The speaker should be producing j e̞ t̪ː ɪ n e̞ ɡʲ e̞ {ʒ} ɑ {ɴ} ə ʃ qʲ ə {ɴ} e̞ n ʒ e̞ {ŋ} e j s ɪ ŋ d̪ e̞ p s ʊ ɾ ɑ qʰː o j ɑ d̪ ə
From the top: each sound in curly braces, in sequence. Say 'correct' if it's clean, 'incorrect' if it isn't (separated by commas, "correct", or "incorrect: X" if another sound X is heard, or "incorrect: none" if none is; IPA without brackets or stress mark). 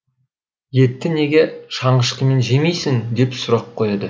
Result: incorrect: ʃ, correct, incorrect: m, incorrect: m